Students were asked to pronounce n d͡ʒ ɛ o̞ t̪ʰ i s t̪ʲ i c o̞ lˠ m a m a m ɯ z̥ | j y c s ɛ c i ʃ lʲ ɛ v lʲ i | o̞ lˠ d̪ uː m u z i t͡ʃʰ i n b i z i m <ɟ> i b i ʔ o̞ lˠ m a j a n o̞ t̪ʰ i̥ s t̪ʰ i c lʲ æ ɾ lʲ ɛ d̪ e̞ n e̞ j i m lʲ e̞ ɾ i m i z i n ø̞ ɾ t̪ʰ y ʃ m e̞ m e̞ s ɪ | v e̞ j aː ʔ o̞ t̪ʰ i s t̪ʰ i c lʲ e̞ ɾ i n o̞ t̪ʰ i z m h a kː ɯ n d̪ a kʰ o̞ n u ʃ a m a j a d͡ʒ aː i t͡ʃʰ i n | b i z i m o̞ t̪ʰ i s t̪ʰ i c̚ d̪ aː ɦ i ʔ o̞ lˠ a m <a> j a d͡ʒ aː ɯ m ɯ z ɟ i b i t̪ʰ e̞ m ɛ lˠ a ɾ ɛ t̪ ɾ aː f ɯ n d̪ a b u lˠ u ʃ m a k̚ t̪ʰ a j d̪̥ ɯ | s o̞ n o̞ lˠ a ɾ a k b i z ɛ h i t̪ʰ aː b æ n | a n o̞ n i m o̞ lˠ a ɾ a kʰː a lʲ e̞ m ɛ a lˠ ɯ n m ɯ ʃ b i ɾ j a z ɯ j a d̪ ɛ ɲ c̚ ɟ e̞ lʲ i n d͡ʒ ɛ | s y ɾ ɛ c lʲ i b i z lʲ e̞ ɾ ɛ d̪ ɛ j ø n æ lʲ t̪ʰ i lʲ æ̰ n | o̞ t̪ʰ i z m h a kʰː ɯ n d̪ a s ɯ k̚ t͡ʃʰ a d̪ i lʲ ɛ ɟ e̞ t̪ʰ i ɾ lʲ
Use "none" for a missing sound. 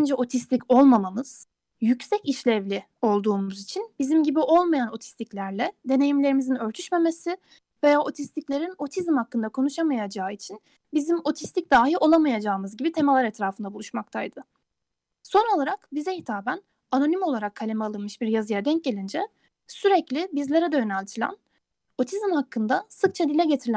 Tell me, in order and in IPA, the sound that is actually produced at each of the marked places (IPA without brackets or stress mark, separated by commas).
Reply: ɟ, a